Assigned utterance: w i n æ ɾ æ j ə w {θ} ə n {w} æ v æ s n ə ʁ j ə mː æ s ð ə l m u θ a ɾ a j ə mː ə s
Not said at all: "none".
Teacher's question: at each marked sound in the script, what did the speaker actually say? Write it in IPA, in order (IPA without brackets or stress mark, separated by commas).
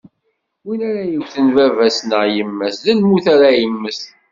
θ, v